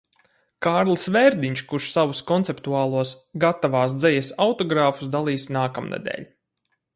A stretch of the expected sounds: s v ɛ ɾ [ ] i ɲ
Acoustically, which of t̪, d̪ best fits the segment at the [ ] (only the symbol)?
d̪